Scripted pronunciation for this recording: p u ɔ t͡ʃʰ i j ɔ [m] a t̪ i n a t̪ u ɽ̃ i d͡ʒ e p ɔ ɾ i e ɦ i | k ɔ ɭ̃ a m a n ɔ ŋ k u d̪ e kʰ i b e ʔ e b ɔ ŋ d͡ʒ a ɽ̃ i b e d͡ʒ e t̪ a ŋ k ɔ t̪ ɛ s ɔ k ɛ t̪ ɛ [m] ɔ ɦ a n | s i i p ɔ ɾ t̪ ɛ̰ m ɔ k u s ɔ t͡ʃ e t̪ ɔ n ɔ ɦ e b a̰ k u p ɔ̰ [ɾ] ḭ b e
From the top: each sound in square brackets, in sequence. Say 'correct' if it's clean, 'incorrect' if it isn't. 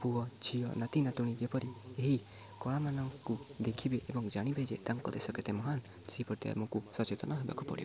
incorrect: n, correct, incorrect: ɽ

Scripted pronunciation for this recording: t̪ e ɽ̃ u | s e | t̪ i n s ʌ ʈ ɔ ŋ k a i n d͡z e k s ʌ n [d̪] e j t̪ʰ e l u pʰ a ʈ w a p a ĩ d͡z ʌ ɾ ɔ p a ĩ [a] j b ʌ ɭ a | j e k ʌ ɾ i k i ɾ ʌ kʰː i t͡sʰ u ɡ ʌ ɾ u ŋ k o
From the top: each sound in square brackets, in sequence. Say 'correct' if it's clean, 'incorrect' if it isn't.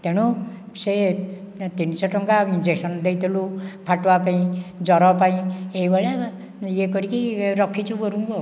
correct, incorrect: e

